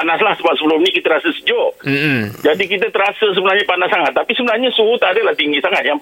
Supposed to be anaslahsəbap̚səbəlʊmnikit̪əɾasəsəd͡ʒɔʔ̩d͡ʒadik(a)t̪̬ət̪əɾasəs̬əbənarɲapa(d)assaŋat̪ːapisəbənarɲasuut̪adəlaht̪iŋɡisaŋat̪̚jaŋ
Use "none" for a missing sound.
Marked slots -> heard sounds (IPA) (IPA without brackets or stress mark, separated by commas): i, n